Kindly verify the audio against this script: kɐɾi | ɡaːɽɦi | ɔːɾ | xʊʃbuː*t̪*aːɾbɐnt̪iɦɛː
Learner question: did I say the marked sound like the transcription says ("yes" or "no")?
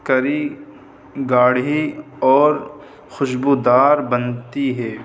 no